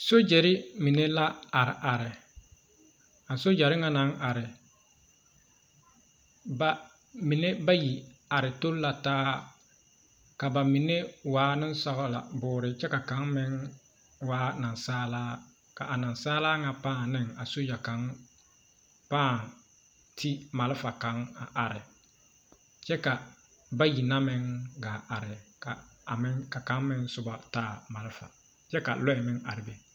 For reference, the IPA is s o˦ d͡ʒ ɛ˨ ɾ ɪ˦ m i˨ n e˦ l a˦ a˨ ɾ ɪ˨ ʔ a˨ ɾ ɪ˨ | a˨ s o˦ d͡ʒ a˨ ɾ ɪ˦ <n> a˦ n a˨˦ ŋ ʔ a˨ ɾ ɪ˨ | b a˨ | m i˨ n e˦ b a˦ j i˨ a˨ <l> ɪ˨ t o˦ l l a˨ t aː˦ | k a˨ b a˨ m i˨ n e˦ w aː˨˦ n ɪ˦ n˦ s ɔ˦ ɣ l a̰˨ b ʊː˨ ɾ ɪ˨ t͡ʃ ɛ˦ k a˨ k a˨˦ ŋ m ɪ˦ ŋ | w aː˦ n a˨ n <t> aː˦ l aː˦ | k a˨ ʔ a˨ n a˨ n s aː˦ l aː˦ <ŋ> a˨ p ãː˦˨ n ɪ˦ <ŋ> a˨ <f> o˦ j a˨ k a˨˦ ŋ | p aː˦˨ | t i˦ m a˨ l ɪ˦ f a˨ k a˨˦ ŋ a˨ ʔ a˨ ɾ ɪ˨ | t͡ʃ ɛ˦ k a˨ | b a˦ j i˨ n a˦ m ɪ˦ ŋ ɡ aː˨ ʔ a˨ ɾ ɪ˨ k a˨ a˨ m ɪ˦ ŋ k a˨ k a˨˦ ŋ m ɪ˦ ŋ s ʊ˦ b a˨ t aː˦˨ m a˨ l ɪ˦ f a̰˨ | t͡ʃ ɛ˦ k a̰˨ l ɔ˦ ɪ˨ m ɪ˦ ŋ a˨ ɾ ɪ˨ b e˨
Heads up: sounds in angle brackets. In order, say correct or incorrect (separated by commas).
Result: incorrect, incorrect, incorrect, correct, correct, incorrect